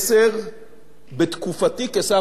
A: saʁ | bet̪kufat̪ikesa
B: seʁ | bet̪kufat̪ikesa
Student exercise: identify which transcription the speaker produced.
B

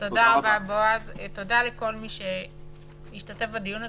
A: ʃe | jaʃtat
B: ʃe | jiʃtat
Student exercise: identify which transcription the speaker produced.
B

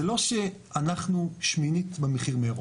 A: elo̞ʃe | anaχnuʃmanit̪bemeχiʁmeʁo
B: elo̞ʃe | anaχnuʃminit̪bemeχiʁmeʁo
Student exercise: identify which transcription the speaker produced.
B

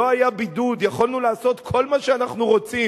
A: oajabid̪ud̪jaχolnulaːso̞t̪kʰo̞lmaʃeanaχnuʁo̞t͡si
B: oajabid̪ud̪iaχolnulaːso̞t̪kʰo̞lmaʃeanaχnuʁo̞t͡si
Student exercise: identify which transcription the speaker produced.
A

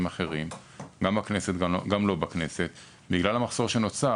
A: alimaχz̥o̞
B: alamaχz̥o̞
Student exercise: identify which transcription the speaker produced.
B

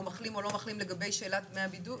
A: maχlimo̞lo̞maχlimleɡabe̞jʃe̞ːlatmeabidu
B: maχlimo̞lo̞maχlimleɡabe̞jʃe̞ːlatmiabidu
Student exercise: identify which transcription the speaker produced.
A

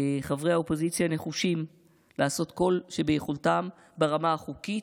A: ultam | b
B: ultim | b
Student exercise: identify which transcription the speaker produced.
A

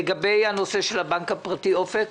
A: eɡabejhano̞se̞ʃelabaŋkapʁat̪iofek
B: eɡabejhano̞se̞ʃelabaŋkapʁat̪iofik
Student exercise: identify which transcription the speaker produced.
A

